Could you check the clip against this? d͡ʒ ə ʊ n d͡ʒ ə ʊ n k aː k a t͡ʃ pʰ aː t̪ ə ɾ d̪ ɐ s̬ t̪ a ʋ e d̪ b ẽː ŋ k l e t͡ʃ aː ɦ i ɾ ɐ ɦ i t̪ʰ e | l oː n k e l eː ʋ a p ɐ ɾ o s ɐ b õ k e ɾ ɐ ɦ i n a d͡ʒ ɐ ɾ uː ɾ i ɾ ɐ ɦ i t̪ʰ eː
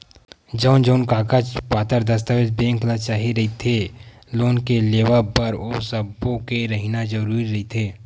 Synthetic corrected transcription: d͡ʒ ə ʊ n d͡ʒ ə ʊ n k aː k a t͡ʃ p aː t̪ ə ɾ d̪ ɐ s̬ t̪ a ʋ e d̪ b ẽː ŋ k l a t͡ʃ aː ɦ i ɾ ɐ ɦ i t̪ʰ e | l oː n k e l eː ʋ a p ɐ ɾ o s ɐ b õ k e ɾ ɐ ɦ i n a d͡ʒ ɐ ɾ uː ɾ i ɾ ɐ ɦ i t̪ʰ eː